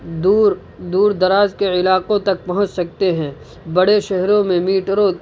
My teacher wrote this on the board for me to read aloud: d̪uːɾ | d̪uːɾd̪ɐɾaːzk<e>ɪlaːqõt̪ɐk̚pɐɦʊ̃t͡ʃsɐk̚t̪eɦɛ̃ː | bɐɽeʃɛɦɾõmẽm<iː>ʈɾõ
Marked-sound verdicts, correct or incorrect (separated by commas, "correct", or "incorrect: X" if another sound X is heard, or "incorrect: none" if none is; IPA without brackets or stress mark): correct, correct